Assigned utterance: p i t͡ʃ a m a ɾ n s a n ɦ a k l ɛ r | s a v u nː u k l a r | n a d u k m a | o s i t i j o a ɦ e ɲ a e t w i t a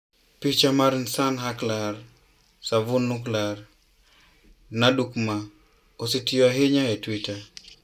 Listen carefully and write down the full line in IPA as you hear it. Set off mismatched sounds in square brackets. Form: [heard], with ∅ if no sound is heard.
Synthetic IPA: p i t͡ʃ a m a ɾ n s a n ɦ a k l [a] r | s a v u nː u k l a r | n a d u k m a | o s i t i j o a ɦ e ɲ a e t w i t a